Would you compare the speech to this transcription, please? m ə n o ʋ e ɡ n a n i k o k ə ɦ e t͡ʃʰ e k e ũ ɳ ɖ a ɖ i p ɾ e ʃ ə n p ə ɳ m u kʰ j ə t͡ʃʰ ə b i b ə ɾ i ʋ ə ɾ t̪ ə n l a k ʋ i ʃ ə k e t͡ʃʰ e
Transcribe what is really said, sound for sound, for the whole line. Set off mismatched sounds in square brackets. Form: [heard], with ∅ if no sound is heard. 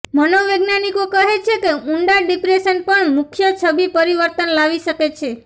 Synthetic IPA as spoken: m ə n o ʋ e ɡ n a n i k o k ə ɦ e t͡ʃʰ e k e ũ ɳ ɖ a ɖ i p ɾ e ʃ ə n p ə ɳ m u kʰ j ə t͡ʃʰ ə b i [p] ə ɾ i ʋ ə ɾ t̪ ə n l a [∅] ʋ i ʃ ə k e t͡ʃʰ e